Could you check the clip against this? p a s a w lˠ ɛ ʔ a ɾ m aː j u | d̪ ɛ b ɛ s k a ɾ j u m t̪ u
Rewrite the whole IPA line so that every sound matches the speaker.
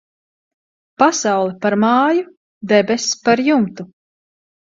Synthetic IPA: p a s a w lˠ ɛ p a ɾ m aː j u | d̪ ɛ b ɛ s p a ɾ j u m t̪ u

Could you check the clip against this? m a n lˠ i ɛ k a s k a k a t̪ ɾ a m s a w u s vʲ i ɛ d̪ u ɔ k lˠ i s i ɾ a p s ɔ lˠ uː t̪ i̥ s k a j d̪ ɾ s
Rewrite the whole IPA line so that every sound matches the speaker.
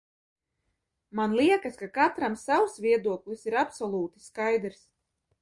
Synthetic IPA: m a n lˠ i ɛ k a s k a k a t̪ ɾ a m s a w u s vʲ i ɛ d̪ u ɔ k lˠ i s i ɾ a p s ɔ lˠ uː t̪ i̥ s k a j d̪ ɾ s

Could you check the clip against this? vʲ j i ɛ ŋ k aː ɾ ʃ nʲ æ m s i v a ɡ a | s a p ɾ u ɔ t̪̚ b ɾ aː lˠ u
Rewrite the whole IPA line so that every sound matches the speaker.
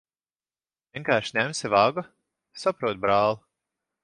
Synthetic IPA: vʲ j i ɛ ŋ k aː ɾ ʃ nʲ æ m s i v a ɡ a | s a p ɾ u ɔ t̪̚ b ɾ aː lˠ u

